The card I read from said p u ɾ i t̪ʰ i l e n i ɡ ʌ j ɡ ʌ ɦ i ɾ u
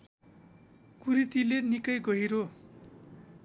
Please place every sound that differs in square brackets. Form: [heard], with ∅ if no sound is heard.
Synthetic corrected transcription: [k] u ɾ i [t̪] i l e n i [k] ʌ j ɡ ʌ ɦ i ɾ [o]